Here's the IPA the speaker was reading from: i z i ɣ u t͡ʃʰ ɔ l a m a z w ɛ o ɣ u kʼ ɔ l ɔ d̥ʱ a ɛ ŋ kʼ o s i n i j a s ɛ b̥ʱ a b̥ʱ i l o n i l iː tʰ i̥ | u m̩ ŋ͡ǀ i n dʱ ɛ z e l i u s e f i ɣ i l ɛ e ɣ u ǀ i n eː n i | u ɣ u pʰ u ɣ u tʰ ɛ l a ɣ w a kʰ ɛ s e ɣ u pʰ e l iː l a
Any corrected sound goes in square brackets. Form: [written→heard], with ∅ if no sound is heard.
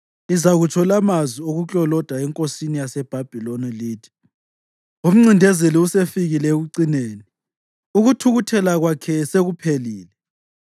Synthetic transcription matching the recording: i z [i→a] ɣ u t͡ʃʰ ɔ l a m a z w [ɛ→i] o ɣ u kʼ ɔ l ɔ d̥ʱ a ɛ ŋ kʼ o s i n i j a s ɛ b̥ʱ a b̥ʱ i l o n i l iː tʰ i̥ | u m̩ ŋ͡ǀ i n dʱ ɛ z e l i u s e f i ɣ i l ɛ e ɣ u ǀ i n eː n i | u ɣ u [pʰ→tʰ] u ɣ u tʰ ɛ l a ɣ w a kʰ ɛ s e ɣ u pʰ e l iː l [a→ɛ]